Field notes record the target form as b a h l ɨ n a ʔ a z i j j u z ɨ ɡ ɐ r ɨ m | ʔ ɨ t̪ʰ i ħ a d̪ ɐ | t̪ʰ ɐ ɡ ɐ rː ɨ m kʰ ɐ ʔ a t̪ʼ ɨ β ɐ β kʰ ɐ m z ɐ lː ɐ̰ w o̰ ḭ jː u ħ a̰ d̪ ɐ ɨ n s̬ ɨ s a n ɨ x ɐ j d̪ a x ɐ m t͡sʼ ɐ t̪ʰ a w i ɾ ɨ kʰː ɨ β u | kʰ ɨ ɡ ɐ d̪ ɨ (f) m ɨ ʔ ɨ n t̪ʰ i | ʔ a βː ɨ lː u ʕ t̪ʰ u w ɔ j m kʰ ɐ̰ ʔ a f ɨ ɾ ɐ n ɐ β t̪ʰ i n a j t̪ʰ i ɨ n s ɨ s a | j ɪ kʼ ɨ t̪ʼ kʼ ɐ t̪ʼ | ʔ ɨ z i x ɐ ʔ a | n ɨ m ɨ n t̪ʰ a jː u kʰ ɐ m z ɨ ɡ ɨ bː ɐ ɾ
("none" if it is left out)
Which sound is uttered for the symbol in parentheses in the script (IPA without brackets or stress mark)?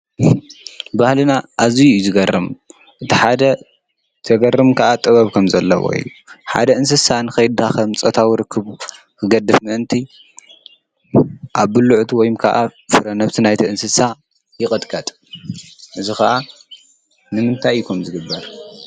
f